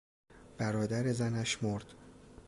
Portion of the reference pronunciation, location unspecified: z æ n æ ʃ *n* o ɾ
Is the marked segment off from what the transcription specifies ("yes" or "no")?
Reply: yes